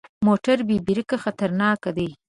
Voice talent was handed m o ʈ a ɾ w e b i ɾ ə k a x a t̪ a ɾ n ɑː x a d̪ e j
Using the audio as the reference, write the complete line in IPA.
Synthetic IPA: m o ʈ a ɾ b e b i ɾ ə k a x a t̪ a ɾ n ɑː k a d̪ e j